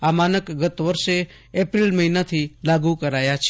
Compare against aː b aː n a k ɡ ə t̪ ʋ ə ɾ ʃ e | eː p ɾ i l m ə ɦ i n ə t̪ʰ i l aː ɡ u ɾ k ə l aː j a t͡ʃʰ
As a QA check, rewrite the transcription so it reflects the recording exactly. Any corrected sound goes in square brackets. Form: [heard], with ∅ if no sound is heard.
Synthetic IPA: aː [m] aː n [ə] k ɡ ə t̪ ʋ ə ɾ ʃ e | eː p ɾ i l m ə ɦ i n [a] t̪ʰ i l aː ɡ u [∅] k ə [ɾ] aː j a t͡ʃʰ